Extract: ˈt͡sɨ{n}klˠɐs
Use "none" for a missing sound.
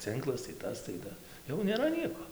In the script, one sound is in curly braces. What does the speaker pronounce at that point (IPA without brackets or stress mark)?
ŋ